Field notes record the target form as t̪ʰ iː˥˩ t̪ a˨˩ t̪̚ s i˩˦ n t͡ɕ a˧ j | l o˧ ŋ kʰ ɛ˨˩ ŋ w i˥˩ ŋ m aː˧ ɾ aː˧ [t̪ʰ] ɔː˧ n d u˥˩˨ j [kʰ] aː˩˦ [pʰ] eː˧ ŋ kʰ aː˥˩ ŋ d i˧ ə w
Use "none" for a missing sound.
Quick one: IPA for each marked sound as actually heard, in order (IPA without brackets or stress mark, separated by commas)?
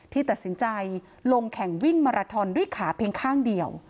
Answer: t̪ʰ, kʰ, pʰ